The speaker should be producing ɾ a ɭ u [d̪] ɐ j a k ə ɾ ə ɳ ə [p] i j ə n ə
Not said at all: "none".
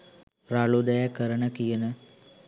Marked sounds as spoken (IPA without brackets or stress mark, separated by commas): d̪, k